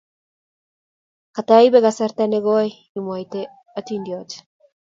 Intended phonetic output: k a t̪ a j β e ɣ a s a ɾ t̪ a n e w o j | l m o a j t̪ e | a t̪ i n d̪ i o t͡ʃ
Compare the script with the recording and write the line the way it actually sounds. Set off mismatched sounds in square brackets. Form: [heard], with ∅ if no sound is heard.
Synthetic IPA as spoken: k a t̪ a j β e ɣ a s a ɾ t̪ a n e [ɣ] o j | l m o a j t̪ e | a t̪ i n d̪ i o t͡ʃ